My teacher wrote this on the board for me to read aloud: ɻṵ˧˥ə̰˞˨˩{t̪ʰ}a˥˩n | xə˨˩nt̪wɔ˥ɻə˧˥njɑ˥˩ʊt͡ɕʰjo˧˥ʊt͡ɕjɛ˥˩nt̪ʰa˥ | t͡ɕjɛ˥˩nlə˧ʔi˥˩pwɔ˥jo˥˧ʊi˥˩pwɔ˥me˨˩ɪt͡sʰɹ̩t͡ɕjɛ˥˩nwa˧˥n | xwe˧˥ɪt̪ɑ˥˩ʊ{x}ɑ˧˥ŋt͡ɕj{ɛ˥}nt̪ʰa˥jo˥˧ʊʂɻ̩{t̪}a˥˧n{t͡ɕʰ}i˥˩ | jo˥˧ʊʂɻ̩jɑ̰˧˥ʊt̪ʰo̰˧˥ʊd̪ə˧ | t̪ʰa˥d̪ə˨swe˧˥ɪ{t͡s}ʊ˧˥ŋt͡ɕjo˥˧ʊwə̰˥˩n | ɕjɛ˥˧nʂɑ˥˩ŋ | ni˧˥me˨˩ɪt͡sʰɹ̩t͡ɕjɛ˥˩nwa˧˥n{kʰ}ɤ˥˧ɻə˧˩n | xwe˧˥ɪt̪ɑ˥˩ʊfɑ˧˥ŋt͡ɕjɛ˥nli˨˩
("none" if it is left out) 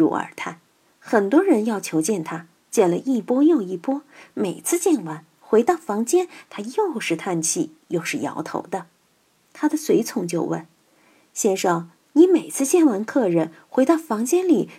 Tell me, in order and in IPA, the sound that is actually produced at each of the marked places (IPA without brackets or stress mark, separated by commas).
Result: t̪ʰ, f, ɛ˥, t̪ʰ, t͡ɕʰ, t͡sʰ, kʰ